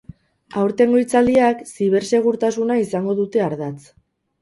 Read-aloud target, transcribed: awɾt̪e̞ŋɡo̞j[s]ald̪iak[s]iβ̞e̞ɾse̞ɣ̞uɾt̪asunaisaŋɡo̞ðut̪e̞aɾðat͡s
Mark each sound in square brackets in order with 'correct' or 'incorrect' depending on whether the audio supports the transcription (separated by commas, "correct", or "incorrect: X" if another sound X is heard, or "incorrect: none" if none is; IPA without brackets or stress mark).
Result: incorrect: t͡s, correct